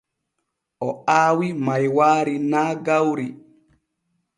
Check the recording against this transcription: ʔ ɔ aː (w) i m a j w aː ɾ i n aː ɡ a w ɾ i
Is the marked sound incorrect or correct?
correct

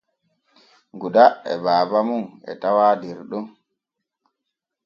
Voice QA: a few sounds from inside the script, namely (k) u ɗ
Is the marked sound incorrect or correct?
incorrect: ɡ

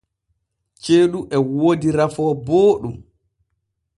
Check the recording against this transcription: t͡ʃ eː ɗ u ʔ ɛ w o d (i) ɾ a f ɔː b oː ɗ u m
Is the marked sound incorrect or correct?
correct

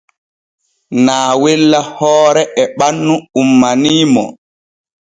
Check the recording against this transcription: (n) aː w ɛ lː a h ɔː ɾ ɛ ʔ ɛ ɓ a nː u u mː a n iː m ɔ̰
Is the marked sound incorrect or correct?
correct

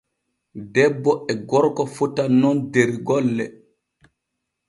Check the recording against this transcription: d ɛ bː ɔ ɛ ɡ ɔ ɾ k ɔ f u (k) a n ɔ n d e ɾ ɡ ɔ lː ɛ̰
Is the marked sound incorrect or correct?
incorrect: t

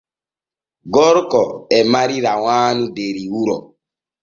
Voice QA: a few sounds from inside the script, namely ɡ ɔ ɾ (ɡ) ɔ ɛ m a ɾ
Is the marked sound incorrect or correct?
incorrect: k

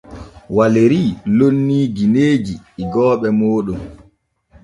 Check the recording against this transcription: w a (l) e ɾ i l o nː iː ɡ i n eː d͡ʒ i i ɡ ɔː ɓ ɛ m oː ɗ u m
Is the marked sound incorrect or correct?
correct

